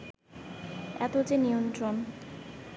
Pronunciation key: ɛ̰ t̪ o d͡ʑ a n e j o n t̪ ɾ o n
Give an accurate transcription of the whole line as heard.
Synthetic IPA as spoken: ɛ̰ t̪ o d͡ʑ e n i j o n t̪ ɾ o n

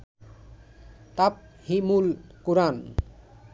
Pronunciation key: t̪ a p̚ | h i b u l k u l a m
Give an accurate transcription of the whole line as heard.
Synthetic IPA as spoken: t̪ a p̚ | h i m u l k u ɾ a n

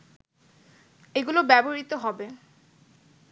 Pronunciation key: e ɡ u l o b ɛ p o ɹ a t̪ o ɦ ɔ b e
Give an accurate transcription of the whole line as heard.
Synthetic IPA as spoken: e ɡ u l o b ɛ b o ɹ i t̪ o ɦ ɔ b e

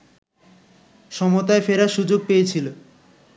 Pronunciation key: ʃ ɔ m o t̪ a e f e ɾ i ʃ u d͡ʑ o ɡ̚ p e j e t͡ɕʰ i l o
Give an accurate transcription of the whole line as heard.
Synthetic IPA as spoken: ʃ ɔ m o t̪ a e f e ɾ a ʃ u d͡ʑ o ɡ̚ p e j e t͡ɕʰ i l o

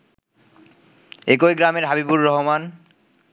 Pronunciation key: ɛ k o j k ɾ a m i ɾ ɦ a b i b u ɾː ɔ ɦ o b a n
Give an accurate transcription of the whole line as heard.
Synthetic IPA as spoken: e k o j ɡ ɾ a m e ɾ ɦ a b i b u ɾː ɔ ɦ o m a n

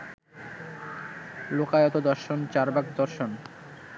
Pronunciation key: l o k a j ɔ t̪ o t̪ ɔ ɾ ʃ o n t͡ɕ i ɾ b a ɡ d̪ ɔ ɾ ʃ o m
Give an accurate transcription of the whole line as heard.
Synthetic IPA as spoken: l o k a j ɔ t̪ o d̪ ɔ ɾ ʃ o n t͡ɕ a ɾ b a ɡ d̪ ɔ ɾ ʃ o n

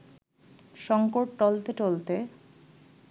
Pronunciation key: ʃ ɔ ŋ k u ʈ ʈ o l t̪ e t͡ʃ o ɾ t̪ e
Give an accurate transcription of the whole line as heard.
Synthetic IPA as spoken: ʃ ɔ ŋ k o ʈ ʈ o l t̪ e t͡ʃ o l t̪ e

